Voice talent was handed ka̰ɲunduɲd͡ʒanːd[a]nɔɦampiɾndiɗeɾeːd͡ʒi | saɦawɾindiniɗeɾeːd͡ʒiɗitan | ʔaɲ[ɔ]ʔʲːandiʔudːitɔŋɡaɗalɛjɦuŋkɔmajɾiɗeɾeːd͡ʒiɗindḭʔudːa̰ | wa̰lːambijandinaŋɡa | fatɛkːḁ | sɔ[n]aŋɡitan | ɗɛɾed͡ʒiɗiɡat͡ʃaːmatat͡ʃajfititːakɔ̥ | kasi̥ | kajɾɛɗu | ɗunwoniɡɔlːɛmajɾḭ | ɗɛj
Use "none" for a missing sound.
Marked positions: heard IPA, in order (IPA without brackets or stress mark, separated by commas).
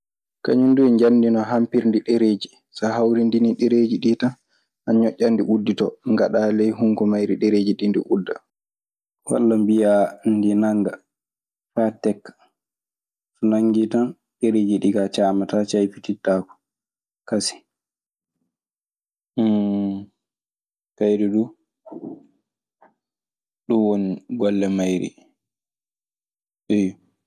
i, ɔ, n